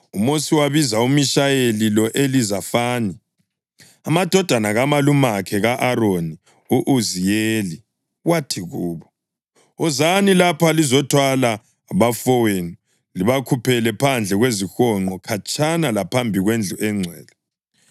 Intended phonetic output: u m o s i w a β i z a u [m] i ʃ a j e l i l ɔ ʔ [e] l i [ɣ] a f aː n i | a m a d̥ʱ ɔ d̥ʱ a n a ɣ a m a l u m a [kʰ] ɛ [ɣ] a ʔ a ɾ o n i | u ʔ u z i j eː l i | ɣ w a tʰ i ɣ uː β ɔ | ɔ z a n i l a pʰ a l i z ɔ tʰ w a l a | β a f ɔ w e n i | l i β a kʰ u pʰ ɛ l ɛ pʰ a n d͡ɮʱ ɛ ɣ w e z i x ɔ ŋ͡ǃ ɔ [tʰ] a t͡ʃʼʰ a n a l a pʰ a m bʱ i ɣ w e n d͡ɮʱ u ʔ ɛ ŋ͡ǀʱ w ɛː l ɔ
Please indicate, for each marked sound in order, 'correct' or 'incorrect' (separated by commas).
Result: correct, correct, incorrect, correct, correct, incorrect